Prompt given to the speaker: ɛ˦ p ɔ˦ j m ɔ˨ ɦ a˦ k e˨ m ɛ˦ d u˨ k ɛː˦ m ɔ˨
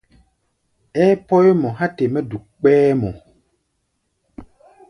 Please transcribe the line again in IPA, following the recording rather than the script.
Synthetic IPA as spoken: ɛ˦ p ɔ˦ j m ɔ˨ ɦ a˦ t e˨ m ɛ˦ d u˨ k͡p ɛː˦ m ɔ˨